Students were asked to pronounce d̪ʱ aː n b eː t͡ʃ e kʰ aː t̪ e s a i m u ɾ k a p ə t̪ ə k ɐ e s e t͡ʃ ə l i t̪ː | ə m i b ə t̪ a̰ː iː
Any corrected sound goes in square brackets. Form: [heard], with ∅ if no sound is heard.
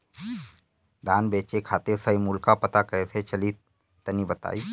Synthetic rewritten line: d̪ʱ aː n b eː t͡ʃ e kʰ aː t̪ e s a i m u [l] k a p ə t̪ [a] k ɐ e s e t͡ʃ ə l i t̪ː | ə [n] i b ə t̪ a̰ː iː